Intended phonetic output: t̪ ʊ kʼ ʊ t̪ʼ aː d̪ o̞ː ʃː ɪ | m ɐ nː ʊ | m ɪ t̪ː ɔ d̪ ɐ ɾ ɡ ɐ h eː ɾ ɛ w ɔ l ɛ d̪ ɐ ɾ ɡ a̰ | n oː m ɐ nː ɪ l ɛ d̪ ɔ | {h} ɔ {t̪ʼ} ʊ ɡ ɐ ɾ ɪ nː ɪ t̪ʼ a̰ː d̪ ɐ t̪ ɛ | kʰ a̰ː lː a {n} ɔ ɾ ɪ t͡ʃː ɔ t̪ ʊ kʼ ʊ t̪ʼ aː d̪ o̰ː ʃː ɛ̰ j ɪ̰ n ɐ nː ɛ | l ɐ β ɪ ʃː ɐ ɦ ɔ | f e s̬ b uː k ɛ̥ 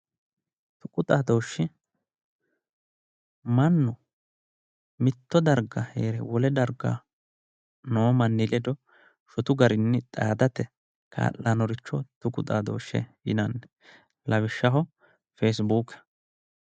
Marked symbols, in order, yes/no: no, no, yes

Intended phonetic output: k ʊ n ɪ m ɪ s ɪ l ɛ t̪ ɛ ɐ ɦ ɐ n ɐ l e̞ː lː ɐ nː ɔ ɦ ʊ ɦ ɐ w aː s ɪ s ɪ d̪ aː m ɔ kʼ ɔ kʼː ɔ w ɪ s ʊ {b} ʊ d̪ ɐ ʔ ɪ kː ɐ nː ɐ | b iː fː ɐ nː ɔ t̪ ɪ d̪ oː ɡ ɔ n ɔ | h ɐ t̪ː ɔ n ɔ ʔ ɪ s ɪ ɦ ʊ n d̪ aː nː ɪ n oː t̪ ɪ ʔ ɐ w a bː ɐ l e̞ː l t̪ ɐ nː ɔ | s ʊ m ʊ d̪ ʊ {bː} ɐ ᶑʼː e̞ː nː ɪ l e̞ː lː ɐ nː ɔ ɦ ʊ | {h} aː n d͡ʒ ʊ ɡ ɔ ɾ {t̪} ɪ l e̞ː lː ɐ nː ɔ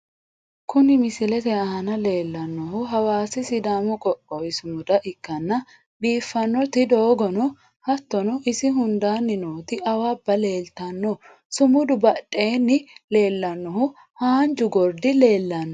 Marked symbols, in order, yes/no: no, no, yes, no

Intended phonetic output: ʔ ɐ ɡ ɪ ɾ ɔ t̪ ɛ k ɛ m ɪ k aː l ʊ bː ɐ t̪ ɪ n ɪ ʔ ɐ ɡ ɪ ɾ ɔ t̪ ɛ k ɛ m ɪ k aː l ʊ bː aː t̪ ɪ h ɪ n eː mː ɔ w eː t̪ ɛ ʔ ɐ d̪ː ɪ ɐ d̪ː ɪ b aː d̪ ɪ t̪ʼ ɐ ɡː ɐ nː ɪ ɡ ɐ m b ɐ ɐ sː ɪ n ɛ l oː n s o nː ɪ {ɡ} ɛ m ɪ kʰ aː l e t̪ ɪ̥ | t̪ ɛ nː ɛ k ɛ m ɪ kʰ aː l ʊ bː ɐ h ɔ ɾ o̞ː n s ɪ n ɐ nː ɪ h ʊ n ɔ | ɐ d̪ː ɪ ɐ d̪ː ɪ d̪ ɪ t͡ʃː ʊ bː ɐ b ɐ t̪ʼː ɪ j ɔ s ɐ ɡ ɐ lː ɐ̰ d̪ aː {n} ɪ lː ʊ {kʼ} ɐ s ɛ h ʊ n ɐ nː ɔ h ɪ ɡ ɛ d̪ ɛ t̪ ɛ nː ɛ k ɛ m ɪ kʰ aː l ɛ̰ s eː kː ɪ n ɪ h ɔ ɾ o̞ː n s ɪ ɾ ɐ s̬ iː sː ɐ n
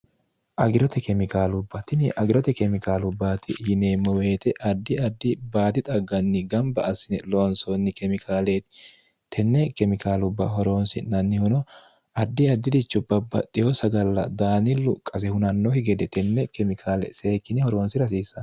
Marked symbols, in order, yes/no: no, yes, yes

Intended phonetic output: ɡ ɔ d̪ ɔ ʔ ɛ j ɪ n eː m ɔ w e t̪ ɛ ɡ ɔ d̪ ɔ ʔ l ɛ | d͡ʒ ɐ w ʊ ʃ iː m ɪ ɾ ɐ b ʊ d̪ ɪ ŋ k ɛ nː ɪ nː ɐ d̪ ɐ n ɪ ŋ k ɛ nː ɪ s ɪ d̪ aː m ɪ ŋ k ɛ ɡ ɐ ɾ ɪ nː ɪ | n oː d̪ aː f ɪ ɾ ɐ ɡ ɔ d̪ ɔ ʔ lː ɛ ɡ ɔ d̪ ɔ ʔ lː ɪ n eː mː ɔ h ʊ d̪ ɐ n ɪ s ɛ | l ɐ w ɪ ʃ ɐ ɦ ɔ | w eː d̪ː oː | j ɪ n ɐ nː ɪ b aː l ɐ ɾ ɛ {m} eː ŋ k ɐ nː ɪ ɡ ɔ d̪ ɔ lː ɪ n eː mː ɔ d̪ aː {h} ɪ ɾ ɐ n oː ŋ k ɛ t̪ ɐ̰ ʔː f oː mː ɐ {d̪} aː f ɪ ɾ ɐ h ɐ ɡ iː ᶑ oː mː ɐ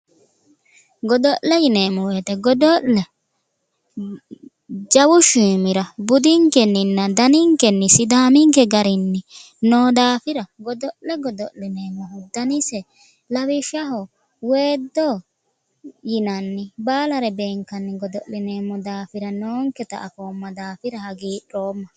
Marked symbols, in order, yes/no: no, no, yes

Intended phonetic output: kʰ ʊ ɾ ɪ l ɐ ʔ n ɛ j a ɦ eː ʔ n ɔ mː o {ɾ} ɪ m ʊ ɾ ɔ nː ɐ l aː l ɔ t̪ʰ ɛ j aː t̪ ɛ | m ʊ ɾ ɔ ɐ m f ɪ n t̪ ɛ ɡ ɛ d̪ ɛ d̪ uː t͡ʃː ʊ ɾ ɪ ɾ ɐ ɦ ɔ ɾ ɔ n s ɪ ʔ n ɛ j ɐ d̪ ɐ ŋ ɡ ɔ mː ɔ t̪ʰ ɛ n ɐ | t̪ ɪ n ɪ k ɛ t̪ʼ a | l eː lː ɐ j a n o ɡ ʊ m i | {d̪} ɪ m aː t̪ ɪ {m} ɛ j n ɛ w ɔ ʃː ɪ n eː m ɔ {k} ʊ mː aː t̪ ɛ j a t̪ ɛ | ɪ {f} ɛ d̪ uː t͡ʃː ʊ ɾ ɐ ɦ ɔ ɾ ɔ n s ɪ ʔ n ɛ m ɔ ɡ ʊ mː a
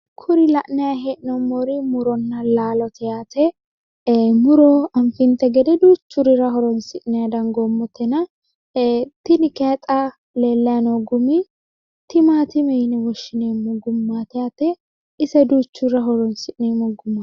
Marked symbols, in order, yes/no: yes, no, yes, no, no

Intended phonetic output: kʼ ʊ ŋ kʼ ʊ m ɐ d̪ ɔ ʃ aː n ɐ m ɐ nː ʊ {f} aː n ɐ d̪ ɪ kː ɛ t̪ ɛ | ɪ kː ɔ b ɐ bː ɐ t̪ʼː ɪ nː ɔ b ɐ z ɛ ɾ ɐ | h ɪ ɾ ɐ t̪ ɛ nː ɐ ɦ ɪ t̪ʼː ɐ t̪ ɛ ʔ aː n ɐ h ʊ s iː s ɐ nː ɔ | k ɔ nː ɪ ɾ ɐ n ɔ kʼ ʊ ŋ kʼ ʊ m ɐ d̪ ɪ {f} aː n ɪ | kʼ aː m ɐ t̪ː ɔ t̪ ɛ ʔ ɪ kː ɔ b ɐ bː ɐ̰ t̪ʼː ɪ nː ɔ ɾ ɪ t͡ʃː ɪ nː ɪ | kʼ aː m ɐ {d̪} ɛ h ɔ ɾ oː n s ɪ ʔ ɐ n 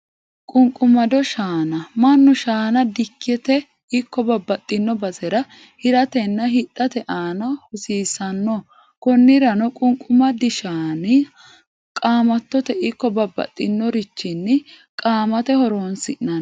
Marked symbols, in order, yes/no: no, no, no

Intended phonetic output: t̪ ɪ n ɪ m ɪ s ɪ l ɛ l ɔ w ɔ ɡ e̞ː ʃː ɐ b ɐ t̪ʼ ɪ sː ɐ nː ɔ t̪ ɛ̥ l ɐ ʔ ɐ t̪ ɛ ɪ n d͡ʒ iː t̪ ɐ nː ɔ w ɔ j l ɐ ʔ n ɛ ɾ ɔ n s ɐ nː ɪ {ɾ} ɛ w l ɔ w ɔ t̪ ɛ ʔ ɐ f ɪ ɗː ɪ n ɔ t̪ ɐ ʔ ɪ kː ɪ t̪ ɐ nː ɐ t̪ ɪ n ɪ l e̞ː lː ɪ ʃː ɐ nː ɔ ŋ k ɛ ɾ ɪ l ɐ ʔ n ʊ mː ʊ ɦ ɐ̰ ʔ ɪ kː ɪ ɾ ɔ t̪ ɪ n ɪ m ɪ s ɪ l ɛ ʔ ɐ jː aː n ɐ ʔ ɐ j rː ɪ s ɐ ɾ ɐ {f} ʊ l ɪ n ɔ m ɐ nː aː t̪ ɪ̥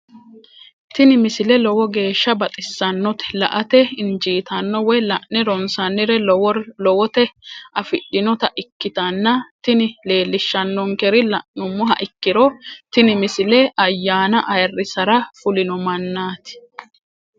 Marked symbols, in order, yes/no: yes, yes

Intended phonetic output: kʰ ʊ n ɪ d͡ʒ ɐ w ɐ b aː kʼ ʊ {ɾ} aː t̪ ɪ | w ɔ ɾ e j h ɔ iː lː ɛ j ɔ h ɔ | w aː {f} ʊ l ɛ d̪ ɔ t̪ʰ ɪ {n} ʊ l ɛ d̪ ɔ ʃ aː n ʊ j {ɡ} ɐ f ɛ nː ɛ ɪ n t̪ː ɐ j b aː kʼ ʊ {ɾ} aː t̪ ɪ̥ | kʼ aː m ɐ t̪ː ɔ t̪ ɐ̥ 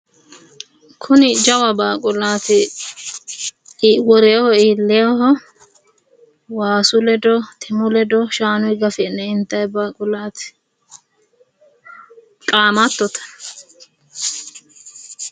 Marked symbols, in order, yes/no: no, no, no, yes, no

